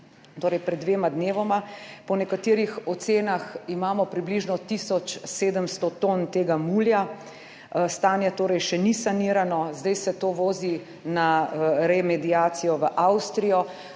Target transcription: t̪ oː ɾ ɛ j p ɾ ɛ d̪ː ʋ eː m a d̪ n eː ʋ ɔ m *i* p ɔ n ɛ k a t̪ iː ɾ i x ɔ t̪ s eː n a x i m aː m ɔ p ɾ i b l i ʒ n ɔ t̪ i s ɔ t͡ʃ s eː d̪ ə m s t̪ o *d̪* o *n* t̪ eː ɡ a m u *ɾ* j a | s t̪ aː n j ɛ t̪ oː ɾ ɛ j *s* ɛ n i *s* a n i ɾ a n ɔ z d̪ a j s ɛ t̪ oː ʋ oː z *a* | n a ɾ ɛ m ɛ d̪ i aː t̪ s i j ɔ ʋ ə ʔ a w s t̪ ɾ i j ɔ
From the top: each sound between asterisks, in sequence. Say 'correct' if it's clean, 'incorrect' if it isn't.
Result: incorrect: a, incorrect: t̪, correct, incorrect: l, incorrect: ʃ, correct, incorrect: i

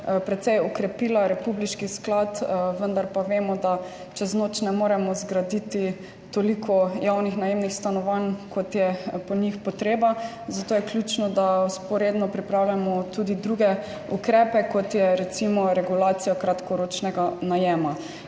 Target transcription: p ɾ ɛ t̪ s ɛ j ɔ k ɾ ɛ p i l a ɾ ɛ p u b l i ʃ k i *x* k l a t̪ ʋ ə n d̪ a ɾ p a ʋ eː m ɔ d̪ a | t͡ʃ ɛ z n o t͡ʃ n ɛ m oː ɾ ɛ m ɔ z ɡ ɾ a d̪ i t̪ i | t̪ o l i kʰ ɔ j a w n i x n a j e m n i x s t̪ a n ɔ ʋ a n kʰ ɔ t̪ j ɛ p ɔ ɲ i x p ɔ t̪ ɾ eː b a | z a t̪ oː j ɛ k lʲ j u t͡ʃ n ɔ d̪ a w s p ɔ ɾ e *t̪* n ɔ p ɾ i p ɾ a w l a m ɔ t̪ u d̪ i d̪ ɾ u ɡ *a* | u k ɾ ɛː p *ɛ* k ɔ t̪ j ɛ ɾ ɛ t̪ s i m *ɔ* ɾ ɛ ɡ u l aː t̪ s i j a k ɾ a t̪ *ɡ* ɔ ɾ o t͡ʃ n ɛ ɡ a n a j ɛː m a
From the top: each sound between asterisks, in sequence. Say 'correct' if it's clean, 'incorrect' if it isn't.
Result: incorrect: s, incorrect: d̪, incorrect: ɛ, correct, correct, incorrect: k

